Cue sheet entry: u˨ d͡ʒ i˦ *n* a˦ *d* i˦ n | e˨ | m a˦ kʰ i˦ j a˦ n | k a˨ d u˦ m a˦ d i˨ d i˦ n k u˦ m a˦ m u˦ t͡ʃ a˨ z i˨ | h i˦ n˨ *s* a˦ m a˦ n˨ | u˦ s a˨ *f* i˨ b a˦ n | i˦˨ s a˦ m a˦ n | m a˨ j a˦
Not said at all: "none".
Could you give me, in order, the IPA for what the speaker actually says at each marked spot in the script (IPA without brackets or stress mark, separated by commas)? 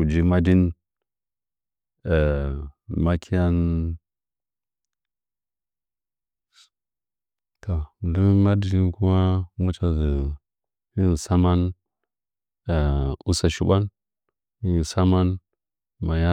m, d, s, ʃ